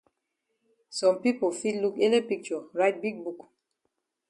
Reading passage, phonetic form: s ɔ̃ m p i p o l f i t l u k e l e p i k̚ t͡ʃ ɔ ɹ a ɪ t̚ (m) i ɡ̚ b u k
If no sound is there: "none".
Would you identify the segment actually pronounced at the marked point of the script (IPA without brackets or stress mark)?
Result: b